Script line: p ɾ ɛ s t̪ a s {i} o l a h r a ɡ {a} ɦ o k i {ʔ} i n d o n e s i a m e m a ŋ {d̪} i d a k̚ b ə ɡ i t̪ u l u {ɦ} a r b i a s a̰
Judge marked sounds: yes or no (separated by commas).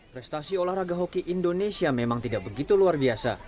yes, yes, yes, no, no